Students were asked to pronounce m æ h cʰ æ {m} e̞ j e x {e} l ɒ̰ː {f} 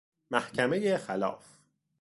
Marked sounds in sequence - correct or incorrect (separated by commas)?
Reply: correct, incorrect, correct